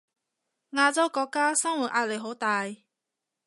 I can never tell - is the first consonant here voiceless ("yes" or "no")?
no